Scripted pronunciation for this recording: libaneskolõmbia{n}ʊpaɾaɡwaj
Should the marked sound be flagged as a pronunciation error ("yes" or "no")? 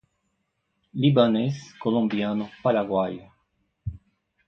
no